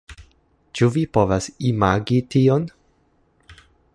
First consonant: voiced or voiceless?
voiceless